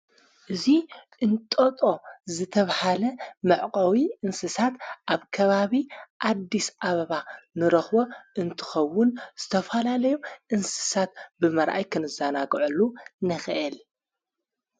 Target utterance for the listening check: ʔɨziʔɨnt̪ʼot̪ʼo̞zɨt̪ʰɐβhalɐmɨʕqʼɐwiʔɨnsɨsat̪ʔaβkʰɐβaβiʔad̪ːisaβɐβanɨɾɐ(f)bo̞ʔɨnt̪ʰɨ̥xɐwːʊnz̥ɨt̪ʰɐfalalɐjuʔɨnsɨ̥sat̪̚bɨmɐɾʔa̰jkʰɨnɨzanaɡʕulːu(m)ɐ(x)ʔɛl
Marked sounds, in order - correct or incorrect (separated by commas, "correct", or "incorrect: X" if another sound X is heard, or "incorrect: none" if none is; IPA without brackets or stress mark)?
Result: incorrect: x, incorrect: n, correct